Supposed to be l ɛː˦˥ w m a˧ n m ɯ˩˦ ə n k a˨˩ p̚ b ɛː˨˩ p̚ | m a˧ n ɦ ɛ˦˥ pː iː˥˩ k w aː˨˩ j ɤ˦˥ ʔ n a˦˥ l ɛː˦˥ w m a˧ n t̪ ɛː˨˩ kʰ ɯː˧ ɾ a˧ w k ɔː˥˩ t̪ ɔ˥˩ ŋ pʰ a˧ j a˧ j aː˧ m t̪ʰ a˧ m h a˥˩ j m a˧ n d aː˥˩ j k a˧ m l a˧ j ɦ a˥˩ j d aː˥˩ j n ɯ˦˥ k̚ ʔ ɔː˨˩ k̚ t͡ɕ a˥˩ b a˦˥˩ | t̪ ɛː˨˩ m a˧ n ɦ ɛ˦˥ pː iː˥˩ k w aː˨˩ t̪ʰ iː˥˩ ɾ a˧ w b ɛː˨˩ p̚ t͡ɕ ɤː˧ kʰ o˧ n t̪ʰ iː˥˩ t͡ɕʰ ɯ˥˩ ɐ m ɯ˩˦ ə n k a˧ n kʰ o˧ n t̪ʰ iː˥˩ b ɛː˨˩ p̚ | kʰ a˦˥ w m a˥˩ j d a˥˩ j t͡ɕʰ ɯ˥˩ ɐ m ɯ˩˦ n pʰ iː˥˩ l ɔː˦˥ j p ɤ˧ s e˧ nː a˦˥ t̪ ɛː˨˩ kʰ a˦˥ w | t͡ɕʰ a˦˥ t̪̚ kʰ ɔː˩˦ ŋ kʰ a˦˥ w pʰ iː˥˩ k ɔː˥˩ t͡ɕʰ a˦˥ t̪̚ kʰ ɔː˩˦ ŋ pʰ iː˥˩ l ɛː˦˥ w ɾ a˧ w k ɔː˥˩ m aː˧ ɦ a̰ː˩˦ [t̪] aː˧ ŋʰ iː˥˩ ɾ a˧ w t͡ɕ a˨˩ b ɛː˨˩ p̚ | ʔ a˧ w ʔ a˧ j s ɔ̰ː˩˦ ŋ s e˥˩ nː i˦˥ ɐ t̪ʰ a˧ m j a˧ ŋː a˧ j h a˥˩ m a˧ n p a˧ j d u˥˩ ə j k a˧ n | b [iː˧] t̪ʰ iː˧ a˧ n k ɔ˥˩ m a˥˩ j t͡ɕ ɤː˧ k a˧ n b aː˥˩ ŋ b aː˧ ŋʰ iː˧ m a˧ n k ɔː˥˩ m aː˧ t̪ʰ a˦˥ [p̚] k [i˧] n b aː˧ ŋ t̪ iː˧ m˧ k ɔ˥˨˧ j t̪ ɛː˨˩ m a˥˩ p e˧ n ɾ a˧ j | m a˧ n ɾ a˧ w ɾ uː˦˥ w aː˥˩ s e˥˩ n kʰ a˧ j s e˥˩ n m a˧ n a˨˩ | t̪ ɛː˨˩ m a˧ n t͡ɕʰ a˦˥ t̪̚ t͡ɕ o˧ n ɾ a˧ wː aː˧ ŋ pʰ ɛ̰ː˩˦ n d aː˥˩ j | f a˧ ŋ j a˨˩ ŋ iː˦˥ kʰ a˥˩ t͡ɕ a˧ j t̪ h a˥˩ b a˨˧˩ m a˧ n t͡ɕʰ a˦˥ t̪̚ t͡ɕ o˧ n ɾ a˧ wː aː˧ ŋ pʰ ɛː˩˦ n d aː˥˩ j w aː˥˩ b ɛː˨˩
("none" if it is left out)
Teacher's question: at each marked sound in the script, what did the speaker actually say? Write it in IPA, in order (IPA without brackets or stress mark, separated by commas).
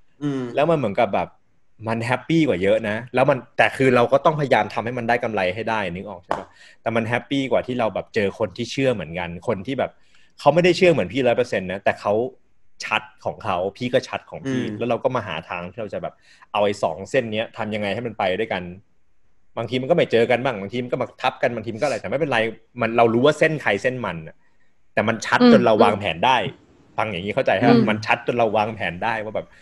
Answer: t̪ʰ, aː˧, p̚, a˧